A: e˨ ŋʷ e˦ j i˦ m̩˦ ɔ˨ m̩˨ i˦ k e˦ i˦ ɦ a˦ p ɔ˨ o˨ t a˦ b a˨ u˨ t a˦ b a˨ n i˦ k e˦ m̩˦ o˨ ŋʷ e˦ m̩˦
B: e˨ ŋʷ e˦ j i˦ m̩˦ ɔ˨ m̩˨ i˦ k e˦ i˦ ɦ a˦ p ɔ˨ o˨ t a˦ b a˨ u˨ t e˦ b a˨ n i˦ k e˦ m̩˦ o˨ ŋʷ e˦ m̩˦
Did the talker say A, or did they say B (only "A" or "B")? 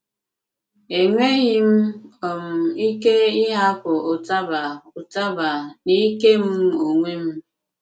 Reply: A